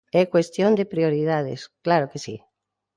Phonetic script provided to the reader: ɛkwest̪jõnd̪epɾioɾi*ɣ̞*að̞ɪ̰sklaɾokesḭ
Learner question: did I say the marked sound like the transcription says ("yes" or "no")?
no